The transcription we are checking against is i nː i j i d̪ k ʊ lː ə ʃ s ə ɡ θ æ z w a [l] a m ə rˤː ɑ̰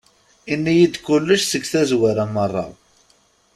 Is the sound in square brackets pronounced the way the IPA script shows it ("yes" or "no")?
no